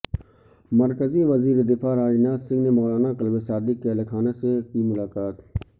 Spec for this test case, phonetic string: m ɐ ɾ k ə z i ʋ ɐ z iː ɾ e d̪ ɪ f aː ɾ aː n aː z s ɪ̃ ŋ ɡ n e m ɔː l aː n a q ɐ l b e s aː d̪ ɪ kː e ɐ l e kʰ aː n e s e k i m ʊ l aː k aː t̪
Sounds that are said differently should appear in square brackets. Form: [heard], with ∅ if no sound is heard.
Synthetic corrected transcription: m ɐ ɾ k ə z i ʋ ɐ z iː ɾ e d̪ ɪ f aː ɾ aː n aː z s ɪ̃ ŋ ɡ n e m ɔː l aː n a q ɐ l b e s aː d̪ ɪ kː e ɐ l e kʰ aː n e s e k i m ʊ l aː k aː t̪